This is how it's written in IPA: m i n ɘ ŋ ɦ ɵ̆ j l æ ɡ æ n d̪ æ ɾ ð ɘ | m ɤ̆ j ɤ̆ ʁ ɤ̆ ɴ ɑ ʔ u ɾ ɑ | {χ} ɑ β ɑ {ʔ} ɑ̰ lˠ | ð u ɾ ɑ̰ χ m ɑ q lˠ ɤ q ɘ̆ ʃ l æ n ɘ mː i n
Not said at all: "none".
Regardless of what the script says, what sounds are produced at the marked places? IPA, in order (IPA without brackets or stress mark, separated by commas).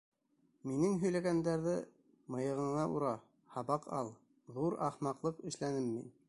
h, q